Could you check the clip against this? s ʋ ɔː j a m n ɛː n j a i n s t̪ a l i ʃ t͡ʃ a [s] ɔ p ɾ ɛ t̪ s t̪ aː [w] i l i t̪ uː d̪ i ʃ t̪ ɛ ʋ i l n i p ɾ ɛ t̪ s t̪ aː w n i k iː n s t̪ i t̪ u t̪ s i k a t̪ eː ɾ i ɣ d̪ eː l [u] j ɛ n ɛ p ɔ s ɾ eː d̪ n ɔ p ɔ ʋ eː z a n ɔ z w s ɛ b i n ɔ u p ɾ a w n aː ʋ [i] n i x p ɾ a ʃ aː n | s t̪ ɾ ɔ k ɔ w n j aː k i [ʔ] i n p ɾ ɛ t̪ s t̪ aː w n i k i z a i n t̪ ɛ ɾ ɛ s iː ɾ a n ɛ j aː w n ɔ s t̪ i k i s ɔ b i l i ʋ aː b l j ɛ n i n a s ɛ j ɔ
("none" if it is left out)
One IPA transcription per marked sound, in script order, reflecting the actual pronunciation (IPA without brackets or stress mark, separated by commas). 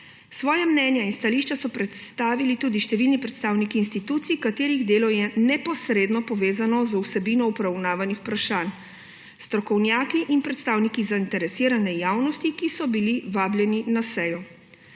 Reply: s, ʋ, ɔ, a, ʔ